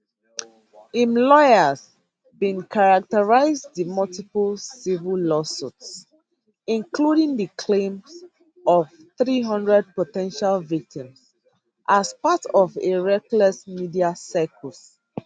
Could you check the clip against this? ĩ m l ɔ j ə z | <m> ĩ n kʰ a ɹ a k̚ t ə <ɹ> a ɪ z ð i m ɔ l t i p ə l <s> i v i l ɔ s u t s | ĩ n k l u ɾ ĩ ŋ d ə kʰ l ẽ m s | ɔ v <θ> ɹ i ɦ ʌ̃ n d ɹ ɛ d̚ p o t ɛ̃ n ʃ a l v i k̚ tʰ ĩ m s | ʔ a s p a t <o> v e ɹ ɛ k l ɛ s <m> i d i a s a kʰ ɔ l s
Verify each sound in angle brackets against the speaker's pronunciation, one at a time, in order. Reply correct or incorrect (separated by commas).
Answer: incorrect, correct, correct, correct, incorrect, correct